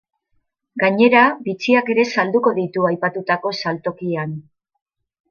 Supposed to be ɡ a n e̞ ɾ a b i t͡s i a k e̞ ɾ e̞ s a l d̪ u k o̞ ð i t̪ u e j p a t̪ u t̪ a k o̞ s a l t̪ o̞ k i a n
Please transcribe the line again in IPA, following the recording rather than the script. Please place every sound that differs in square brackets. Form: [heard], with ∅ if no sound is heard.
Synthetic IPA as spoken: ɡ a [ɲ] e̞ ɾ a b i t͡s i a k e̞ ɾ e̞ s a l d̪ u k o̞ ð i t̪ u [a] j p a t̪ u t̪ a k o̞ s a l t̪ o̞ k i a n